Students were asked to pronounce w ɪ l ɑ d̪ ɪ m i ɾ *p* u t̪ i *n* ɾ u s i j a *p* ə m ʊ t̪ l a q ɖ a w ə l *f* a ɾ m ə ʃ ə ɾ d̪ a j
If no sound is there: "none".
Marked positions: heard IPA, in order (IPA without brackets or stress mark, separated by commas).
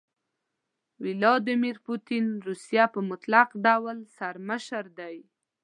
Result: p, n, p, s